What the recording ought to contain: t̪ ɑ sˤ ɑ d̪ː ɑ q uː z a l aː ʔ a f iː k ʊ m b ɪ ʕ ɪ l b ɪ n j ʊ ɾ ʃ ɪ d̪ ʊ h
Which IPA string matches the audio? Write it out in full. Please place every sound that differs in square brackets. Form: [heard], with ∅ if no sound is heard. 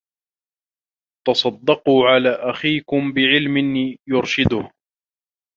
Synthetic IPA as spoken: t̪ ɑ sˤ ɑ d̪ː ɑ q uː [ʕ] a l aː ʔ a [x] iː k ʊ m b ɪ ʕ ɪ l [m] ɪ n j ʊ ɾ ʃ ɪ d̪ ʊ h